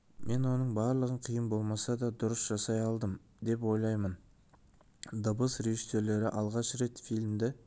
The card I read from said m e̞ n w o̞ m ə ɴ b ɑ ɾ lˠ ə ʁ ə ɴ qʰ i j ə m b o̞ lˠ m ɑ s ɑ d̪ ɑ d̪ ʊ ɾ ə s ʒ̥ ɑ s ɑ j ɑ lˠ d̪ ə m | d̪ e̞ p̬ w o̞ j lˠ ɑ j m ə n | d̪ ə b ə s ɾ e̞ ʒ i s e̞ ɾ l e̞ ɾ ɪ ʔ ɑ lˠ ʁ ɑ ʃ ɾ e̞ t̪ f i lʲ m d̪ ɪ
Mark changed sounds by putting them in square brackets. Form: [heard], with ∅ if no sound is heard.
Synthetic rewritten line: m e̞ n w o̞ [n] ə ɴ b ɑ ɾ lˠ ə ʁ ə ɴ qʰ i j ə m b o̞ lˠ m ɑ s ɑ d̪ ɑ d̪ ʊ ɾ ə s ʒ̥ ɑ s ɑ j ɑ lˠ d̪ ə m | d̪ e̞ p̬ w o̞ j lˠ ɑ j m ə n | d̪ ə b ə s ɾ e̞ ʒ i s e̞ ɾ l e̞ ɾ ɪ ʔ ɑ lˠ ʁ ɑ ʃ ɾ e̞ t̪ f i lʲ m d̪ ɪ